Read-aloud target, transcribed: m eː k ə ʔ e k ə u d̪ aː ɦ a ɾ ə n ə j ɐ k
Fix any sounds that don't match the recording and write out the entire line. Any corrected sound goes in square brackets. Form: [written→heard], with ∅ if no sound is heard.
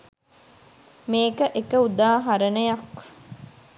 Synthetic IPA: m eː k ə ʔ e k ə u d̪ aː ɦ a ɾ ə n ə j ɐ k